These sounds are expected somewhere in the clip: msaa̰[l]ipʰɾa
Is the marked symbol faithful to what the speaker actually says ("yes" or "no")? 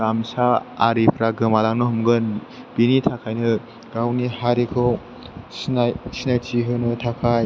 no